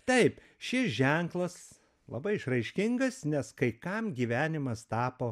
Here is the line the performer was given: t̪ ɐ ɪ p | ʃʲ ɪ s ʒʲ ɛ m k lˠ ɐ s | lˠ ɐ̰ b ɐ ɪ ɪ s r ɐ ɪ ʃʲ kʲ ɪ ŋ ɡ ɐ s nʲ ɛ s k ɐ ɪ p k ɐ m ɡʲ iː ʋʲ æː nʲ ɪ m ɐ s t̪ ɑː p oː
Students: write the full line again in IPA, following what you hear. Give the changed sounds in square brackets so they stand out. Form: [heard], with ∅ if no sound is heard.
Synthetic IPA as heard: t̪ ɐ ɪ p | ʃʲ ɪ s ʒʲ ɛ [ŋ] k lˠ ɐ s | lˠ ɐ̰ b ɐ ɪ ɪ [ʃ] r ɐ ɪ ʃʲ kʲ ɪ ŋ ɡ ɐ s nʲ ɛ s k ɐ ɪ [∅] k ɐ m ɡʲ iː ʋʲ æː nʲ ɪ m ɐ s t̪ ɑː p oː